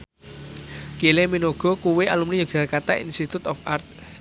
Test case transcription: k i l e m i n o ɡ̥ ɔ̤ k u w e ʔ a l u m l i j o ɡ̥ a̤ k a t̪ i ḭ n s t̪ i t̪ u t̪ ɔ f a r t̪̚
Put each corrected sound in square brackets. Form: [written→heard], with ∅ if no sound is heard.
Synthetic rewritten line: k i l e m i n o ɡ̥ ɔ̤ k u w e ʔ a l u m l i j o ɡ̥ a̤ k a t̪ [i→a] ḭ n s t̪ i t̪ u t̪ ɔ f a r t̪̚